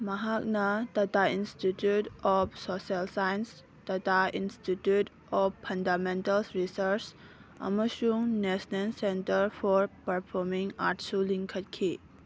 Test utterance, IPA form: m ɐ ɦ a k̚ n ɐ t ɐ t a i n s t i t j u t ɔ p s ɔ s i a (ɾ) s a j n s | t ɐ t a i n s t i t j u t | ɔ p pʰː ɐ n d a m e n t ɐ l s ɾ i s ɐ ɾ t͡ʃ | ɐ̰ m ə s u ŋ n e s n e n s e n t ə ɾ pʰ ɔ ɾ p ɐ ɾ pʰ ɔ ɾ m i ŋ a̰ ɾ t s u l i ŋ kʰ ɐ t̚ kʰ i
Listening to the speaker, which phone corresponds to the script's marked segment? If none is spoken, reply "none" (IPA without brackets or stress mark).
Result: l